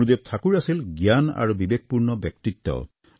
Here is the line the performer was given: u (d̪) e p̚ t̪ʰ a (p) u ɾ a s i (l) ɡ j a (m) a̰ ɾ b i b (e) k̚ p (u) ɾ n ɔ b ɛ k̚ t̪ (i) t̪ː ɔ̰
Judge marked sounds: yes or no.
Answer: yes, no, yes, no, yes, yes, yes

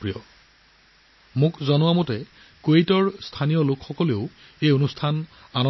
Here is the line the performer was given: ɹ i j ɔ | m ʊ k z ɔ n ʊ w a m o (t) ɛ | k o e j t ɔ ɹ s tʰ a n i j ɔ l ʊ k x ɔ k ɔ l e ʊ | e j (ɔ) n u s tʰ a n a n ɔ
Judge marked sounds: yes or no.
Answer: yes, no

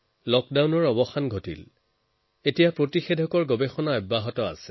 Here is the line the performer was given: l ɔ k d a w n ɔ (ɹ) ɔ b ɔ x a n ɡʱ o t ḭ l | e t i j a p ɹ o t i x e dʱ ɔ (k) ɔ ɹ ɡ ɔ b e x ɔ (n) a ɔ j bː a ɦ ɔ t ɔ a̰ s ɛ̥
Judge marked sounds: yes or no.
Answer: yes, yes, yes

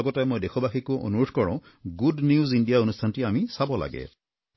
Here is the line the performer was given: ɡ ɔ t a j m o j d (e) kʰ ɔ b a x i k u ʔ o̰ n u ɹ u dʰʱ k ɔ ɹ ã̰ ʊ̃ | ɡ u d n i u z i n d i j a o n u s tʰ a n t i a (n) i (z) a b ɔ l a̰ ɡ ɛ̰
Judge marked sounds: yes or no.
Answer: yes, no, no

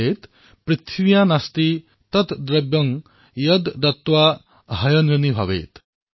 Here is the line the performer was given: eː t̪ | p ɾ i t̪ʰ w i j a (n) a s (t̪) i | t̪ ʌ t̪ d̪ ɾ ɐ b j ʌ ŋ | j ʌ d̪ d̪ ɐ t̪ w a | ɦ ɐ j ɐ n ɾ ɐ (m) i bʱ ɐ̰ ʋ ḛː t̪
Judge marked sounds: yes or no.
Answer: yes, yes, no

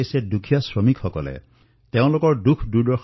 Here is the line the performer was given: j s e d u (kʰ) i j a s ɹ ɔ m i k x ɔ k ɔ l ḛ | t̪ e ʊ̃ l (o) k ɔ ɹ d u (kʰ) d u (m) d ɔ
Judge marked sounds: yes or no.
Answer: yes, yes, yes, no

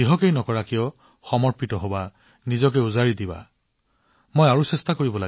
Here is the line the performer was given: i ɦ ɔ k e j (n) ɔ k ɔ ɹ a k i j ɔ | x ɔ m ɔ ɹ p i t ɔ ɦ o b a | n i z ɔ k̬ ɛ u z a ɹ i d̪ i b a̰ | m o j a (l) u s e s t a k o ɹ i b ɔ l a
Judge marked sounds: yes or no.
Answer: yes, no

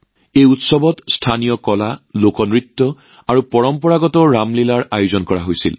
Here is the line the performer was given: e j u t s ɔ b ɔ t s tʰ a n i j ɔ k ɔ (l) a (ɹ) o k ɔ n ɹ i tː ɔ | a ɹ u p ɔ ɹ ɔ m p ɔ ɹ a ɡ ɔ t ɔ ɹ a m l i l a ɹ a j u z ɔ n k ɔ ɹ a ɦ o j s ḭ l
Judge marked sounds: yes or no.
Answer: yes, no

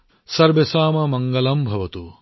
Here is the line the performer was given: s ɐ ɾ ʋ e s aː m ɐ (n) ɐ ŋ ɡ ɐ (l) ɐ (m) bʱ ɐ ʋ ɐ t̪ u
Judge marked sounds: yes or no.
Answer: no, yes, yes

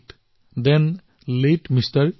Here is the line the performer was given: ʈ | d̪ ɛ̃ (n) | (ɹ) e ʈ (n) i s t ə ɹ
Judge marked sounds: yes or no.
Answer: yes, no, no

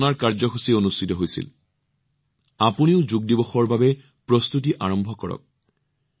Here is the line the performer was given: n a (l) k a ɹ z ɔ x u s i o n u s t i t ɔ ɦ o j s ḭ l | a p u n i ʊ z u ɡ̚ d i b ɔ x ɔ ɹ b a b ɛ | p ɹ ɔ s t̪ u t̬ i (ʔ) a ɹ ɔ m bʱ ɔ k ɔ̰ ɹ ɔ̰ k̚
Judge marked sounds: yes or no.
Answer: no, yes

